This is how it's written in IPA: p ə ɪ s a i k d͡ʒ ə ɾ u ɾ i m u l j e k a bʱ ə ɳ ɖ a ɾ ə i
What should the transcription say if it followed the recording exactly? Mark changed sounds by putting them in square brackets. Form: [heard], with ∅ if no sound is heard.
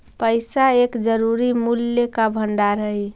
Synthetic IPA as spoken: p ə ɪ s a [e] k d͡ʒ ə ɾ u ɾ i m u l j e k a bʱ ə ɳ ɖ a ɾ ə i